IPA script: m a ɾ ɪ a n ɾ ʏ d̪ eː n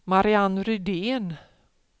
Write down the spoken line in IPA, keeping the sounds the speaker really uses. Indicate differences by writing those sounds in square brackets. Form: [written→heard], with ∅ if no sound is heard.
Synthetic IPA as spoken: m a ɾ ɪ a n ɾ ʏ d̪ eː n